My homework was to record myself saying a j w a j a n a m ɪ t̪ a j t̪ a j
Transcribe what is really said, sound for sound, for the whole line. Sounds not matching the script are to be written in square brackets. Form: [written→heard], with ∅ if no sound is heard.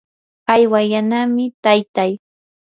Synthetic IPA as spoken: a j w a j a n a m ɪ t̪ a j t̪ a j